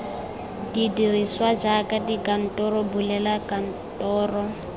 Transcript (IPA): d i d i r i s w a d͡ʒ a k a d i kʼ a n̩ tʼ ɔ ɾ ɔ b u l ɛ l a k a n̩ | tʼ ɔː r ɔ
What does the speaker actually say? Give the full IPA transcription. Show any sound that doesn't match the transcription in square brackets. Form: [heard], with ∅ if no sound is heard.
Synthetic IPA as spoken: d i d i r i s w a d͡ʒ a k a d i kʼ a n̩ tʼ ɔ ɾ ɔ b u l ɛ l a k a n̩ | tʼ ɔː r ɔ